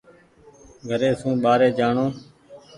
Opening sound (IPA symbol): ɡʱ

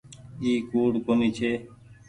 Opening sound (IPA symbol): iː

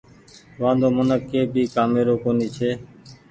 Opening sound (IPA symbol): ʋ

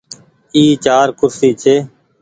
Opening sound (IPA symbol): iː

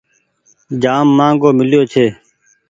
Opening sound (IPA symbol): d͡ʒ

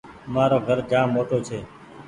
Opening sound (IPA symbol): m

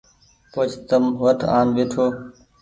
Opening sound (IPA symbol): p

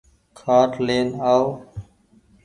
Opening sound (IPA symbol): kʰ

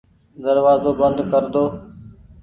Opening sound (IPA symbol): d̪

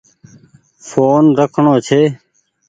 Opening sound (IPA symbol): f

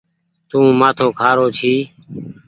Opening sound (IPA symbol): t̪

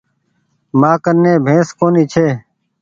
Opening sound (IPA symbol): m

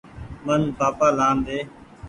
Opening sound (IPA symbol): m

